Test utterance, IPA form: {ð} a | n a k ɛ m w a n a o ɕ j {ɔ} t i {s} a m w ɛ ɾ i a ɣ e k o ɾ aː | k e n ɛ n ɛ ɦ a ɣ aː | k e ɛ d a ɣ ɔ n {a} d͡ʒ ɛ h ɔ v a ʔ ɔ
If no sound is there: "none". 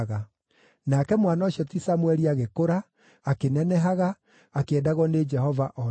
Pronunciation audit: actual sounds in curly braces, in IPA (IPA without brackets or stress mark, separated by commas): ɣ, ɔ, s, e